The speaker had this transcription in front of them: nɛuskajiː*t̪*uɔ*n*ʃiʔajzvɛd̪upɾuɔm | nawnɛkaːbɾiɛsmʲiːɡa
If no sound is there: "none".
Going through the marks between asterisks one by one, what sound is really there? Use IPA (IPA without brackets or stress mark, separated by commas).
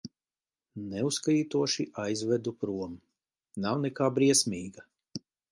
t̪, none